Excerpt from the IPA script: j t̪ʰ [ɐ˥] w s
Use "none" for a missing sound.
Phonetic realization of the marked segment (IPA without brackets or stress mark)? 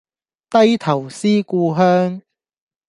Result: ɐ˨˩